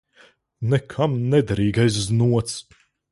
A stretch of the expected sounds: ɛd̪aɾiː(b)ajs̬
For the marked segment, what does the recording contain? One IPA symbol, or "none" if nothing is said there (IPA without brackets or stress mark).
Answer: ɡ